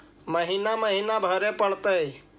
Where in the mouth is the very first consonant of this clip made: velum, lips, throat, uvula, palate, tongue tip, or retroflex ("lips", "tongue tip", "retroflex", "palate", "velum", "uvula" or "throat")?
lips